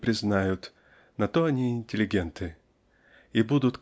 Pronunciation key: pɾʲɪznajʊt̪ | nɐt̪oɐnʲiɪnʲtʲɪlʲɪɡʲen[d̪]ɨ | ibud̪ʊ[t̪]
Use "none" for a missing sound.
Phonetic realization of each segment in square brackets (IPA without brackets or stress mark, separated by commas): t̪, t̪